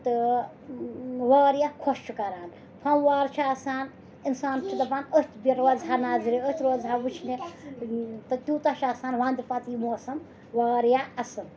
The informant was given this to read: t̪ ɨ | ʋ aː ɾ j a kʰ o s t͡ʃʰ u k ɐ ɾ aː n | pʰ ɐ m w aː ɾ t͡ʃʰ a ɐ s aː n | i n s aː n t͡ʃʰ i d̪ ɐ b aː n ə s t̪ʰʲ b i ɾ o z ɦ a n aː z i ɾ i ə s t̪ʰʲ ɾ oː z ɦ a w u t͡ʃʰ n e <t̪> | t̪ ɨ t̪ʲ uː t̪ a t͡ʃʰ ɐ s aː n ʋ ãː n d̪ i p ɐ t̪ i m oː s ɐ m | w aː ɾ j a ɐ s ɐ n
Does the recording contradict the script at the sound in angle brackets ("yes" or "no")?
yes